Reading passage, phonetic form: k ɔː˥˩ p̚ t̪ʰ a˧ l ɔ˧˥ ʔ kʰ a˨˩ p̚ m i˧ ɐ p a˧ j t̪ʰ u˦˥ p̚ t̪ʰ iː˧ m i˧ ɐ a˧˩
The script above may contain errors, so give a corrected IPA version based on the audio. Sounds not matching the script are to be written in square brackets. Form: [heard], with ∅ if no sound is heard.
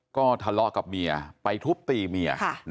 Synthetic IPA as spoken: k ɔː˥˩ [∅] t̪ʰ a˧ l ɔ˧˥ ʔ [k] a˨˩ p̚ m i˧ ɐ p a˧ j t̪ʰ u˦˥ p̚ [t̪] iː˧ m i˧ ɐ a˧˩